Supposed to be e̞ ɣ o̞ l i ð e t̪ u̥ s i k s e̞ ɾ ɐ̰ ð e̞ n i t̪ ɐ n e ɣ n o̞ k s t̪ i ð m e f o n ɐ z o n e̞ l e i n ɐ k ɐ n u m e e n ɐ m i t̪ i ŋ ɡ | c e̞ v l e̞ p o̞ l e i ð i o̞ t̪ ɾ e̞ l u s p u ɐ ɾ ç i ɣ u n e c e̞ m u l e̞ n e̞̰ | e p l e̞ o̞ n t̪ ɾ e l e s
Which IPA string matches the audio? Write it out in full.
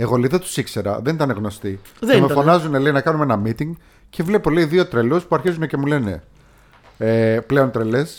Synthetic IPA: e̞ ɣ o̞ l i ð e t̪ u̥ s i k s e̞ ɾ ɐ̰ ð e̞ n i t̪ ɐ n e ɣ n o̞ s t̪ i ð m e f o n ɐ z u n e̞ l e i n ɐ k ɐ n u m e e n ɐ m i t̪ i ŋ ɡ | c e̞ v l e̞ p o̞ l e i ð i o̞ t̪ ɾ e̞ l u s p u ɐ ɾ ç i z u n e c e̞ m u l e̞ n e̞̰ | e p l e̞ o̞ n t̪ ɾ e l e s